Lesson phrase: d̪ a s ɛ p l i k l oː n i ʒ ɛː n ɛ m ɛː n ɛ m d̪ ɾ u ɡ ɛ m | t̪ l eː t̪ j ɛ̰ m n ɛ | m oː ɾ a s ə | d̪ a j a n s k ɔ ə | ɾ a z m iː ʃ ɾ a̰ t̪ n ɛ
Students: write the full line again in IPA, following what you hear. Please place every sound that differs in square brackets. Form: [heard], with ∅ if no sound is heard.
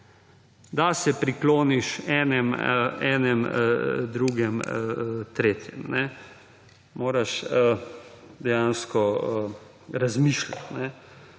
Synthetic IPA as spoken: d̪ a s ɛ p [ɾ] i k l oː n i [ʃ] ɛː n ɛ m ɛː n ɛ m d̪ ɾ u ɡ ɛ m | t̪ [ɾ] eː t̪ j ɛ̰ m n ɛ | m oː ɾ a [ʃ] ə | d̪ [ɛ] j a n s k ɔ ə | ɾ a z m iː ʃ [l] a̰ t̪ n ɛ